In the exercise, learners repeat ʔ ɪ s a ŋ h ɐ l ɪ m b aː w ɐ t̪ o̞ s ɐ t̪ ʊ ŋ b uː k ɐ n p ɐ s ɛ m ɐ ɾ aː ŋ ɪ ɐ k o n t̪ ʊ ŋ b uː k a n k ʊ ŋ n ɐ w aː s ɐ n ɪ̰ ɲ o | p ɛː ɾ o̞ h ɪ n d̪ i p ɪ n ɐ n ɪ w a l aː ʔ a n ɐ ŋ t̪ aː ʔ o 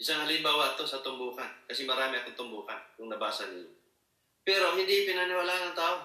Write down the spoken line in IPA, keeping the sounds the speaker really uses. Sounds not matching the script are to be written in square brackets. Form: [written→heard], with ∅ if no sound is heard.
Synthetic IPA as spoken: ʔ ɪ s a ŋ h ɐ l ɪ m b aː w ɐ t̪ o̞ s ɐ t̪ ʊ [ŋ→m] b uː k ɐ n [p→k] ɐ s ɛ m ɐ ɾ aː [ŋ→m] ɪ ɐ k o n t̪ ʊ [ŋ→m] b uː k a n k ʊ ŋ n ɐ [w→b] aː s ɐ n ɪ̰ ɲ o | p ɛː ɾ o̞ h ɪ n d̪ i p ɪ n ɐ n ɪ w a l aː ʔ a n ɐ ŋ t̪ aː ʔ o